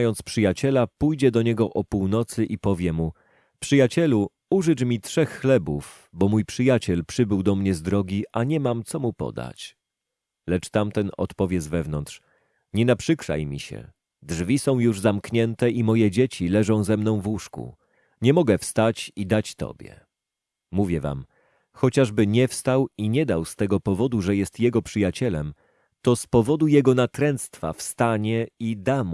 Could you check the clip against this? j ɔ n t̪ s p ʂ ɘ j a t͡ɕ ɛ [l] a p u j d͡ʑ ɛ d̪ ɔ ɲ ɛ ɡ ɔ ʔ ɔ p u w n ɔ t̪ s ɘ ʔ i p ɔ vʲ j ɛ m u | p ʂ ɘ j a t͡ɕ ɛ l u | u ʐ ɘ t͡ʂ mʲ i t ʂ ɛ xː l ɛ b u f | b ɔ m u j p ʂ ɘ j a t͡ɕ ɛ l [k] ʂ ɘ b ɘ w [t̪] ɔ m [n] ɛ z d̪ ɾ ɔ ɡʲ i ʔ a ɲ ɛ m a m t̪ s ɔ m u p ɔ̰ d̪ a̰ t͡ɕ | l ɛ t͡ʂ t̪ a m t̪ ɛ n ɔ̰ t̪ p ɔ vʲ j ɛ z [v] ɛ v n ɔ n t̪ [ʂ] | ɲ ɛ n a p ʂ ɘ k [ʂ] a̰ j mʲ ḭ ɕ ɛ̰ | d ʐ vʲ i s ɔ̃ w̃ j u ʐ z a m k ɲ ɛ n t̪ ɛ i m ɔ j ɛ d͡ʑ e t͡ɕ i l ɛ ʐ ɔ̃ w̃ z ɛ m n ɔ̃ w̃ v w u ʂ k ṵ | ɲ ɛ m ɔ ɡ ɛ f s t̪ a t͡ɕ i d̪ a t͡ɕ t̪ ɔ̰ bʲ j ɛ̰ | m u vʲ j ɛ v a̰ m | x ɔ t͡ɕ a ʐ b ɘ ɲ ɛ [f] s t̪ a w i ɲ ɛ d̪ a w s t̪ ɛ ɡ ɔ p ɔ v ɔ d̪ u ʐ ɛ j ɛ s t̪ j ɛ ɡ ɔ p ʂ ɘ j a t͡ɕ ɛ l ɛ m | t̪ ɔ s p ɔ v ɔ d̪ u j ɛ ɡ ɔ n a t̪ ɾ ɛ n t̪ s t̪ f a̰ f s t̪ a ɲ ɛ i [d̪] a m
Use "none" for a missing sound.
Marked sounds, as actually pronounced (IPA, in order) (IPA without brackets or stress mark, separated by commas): l, p, d̪, ɲ, v, ʂ, ʂ, f, d̪